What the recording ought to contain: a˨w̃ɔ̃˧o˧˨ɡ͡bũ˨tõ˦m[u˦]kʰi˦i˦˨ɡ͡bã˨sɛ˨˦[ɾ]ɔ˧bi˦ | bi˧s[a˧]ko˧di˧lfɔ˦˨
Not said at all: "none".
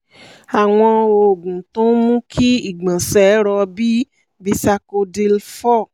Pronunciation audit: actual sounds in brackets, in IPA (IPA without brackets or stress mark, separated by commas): ũ˦, ɾ, a˧